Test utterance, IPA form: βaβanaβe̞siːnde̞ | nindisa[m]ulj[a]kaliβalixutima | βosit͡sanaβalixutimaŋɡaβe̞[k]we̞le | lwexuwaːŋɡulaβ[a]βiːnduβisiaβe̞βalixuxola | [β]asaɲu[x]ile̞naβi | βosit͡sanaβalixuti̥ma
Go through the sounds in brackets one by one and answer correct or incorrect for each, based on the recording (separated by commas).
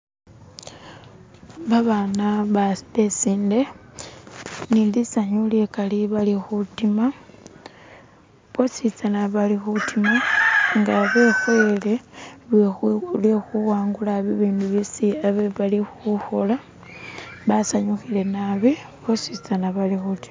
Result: incorrect, incorrect, incorrect, incorrect, correct, correct